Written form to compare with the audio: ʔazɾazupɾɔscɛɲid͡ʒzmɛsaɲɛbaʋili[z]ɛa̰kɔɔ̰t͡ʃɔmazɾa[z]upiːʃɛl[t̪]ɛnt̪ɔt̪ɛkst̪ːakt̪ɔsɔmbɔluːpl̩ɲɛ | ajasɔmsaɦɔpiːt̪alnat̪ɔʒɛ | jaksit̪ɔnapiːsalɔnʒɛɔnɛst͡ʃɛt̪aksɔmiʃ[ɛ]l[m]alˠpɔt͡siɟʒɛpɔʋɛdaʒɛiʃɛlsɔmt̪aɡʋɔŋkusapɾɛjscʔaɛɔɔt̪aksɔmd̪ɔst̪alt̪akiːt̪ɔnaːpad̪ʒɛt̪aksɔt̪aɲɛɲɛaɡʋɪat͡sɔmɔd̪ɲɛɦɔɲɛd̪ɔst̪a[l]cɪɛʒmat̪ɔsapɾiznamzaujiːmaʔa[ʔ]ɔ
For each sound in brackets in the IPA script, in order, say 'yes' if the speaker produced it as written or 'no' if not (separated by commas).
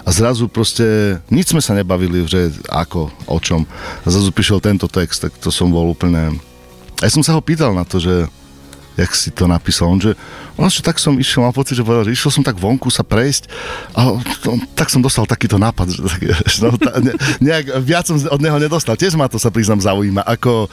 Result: no, yes, yes, yes, yes, yes, no